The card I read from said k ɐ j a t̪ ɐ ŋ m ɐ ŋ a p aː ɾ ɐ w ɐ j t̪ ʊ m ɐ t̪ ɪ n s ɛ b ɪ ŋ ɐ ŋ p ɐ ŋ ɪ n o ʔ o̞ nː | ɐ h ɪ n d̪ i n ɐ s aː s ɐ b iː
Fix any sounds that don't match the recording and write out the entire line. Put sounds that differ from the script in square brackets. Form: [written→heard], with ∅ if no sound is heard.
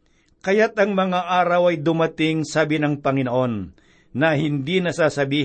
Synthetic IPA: k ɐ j a t̪ ɐ ŋ m ɐ ŋ a [p→ʔ] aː ɾ ɐ w ɐ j [t̪→d̪] ʊ m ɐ t̪ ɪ [n→ŋ] s [ɛ→a] b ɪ [ŋ→n] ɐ ŋ p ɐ ŋ ɪ n o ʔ o̞ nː | ɐ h ɪ n d̪ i n ɐ s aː s ɐ b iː